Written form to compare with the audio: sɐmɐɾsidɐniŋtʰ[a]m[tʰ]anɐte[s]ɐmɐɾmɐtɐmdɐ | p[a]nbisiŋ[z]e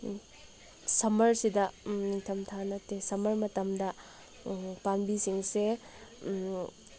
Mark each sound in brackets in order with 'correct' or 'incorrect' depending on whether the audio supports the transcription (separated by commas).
incorrect, correct, correct, correct, incorrect